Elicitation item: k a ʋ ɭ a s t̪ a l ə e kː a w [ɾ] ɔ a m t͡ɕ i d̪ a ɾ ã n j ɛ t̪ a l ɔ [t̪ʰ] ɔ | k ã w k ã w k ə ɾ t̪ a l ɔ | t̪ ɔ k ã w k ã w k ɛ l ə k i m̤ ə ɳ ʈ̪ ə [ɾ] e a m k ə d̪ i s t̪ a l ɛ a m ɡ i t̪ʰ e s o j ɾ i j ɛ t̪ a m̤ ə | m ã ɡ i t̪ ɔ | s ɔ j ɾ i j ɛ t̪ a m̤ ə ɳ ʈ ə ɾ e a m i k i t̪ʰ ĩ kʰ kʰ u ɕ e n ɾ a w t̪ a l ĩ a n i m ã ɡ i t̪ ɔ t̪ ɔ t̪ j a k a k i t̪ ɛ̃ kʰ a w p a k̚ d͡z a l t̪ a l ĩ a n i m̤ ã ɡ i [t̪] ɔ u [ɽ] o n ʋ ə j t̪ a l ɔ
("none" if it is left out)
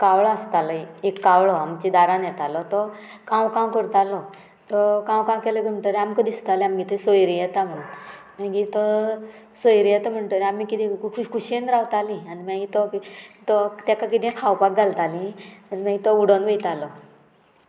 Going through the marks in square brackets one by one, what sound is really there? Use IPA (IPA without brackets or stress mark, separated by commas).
ɭ, t̪, ɾ, t̪, ɽ